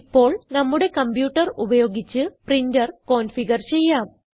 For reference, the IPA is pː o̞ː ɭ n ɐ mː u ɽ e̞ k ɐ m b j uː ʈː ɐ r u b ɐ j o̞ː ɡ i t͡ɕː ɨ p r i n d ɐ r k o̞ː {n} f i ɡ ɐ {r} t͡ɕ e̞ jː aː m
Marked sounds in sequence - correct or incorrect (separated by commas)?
correct, correct